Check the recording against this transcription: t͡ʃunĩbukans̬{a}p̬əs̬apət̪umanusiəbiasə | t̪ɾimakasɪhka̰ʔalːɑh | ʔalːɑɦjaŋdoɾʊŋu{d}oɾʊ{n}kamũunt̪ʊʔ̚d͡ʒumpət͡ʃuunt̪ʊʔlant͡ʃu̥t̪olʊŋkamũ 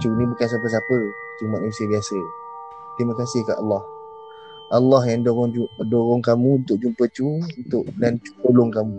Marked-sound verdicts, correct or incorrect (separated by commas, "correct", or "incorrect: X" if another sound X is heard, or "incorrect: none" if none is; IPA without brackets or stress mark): correct, correct, incorrect: ŋ